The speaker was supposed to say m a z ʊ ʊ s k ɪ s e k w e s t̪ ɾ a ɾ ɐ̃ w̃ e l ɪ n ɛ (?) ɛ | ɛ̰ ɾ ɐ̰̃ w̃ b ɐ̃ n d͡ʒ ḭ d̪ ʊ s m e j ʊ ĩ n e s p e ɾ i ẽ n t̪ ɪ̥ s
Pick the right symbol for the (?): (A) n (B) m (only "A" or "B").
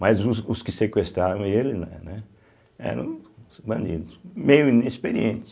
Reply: A